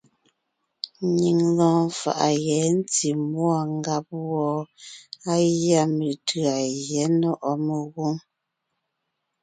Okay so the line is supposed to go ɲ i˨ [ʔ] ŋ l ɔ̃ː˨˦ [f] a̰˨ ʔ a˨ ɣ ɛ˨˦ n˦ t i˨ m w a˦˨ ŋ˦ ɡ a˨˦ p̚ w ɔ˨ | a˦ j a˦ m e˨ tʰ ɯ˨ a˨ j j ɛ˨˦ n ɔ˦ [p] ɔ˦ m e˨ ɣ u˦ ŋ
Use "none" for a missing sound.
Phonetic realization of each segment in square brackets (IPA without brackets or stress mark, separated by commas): none, f, ʔ